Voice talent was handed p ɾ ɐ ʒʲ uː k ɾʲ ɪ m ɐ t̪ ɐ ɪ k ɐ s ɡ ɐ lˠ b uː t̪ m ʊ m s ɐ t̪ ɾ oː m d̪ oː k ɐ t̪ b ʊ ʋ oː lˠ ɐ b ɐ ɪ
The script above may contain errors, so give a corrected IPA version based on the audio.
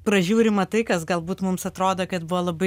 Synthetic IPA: p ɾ ɐ ʒʲ uː ɾʲ ɪ m ɐ t̪ ɐ ɪ k ɐ s ɡ ɐ lˠ b uː t̪ m ʊ m s ɐ t̪ ɾ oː d̪ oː k ɐ t̪ b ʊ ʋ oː lˠ ɐ b ɐ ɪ